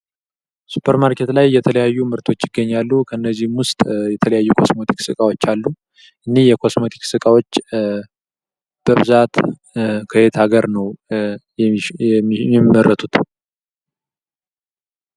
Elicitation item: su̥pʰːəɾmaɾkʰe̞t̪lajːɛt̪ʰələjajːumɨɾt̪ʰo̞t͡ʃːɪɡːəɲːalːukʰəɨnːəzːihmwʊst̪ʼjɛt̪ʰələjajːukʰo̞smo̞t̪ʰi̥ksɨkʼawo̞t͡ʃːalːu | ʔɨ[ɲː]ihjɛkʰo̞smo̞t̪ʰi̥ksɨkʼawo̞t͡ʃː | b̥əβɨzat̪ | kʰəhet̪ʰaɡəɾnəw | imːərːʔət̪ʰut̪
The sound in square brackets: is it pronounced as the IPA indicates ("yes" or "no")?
no